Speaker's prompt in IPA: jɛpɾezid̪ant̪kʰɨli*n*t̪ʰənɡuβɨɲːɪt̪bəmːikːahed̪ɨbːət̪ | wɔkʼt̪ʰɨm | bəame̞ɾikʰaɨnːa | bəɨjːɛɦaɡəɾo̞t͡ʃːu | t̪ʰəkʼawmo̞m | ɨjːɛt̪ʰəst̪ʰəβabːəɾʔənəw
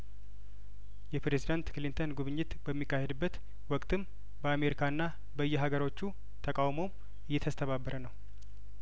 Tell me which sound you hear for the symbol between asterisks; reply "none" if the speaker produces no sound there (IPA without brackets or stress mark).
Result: n